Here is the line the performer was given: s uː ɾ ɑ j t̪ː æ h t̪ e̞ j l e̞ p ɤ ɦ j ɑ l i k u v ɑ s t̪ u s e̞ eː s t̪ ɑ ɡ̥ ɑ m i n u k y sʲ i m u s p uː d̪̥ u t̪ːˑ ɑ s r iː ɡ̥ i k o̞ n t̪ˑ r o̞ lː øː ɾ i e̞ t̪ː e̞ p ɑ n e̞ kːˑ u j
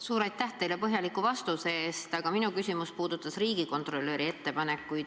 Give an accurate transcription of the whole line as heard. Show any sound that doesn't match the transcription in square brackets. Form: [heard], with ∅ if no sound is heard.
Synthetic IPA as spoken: s uː ɾ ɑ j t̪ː æ h t̪ e̞ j l e̞ p ɤ ɦ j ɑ l i k u v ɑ s t̪ u s e̞ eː s t̪ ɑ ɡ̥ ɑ m i n u k y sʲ i m u s p uː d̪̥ u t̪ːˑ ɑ s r iː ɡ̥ i k o̞ n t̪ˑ r o̞ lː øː ɾ i e̞ t̪ː e̞ p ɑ n e̞ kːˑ u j